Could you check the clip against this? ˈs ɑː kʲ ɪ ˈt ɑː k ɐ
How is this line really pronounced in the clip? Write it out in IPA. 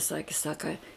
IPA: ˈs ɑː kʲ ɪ ˈs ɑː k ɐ

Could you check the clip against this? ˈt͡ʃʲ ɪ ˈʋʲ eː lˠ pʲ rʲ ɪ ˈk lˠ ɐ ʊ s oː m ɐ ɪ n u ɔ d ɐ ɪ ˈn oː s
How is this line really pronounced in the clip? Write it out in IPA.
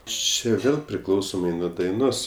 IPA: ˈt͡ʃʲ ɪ ˈʋʲ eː lˠ pʲ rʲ ɪ ˈk lˠ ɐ ʊ s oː m ɐ ɪ n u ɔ d ɐ ɪ ˈn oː s

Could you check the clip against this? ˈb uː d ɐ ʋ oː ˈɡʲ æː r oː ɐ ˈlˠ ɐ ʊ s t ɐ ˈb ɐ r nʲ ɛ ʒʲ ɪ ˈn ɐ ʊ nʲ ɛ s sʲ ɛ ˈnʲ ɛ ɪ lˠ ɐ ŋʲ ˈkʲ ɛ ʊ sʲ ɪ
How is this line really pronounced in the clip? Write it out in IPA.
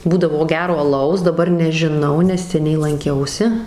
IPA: ˈb uː d ɐ ʋ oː ˈɡʲ æː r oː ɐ ˈlˠ ɐ ʊ s d ɐ ˈb ɐ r nʲ ɛ ʒʲ ɪ ˈn ɐ ʊ nʲ ɛ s sʲ ɛ ˈnʲ ɛ ɪ lˠ ɐ ŋʲ ˈkʲ ɛ ʊ sʲ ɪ

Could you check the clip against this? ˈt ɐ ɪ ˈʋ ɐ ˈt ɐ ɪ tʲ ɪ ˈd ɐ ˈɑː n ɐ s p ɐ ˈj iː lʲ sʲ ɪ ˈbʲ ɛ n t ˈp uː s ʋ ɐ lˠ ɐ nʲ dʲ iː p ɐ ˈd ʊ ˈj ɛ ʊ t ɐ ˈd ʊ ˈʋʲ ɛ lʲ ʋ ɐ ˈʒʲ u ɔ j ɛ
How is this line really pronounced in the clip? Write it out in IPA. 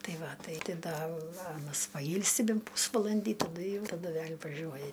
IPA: ˈt ɐ ɪ ˈʋ ɐ ˈt ɐ ɪ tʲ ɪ ˈd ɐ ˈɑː n ɐ s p ɐ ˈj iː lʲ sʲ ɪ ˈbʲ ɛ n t ˈp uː s ʋ ɐ lˠ ɐ nʲ dʲ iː t ɐ ˈd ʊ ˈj ɛ ʊ t ɐ ˈd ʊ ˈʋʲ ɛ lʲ ʋ ɐ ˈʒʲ u ɔ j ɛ

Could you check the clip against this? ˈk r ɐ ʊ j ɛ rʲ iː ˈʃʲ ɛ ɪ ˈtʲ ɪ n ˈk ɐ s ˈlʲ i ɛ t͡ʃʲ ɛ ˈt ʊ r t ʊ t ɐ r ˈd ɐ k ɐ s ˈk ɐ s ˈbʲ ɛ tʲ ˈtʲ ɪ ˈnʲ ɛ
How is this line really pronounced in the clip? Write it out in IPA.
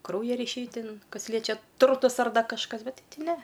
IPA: ˈk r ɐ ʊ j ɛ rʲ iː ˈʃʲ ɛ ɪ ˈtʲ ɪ n ˈk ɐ s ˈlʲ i ɛ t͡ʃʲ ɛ ˈt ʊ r t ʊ s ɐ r ˈd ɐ k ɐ ʃ ˈk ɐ s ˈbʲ ɛ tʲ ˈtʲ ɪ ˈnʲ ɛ

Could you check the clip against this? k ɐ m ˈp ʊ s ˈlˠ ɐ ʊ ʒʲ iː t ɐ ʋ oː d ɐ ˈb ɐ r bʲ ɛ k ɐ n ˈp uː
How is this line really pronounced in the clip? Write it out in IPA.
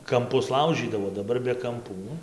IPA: k ɐ m ˈp ʊ s ˈlˠ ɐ ʊ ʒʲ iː d ɐ ʋ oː d ɐ ˈb ɐ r bʲ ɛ k ɐ m ˈp uː

